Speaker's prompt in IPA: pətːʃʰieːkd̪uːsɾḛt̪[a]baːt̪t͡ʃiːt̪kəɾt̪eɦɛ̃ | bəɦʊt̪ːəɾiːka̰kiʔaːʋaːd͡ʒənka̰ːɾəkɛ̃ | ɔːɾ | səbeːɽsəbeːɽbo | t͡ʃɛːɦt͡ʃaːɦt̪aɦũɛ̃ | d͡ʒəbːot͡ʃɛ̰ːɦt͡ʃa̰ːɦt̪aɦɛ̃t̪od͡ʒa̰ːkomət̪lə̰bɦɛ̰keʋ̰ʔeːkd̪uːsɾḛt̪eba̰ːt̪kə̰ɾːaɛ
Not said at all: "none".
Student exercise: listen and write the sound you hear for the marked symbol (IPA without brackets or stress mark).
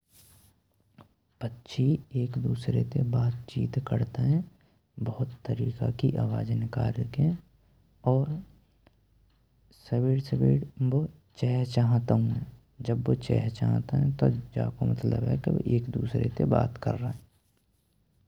e